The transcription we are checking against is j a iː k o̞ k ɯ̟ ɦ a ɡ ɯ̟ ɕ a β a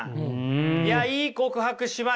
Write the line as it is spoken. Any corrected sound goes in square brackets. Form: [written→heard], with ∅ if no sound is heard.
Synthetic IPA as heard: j a iː k o̞ k ɯ̟ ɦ a [ɡ→k] ɯ̟ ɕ [a→i] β a